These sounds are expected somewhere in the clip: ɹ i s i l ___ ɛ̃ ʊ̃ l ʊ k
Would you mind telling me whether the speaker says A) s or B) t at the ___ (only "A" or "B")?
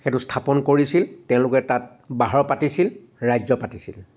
B